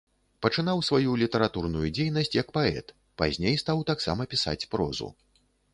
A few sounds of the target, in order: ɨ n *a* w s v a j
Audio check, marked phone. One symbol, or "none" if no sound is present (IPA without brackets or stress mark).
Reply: a